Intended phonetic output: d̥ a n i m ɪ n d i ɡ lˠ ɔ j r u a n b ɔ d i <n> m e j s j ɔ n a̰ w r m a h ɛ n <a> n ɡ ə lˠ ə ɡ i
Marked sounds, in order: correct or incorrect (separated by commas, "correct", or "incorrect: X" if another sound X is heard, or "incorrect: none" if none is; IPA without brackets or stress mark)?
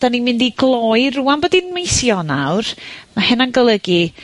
correct, correct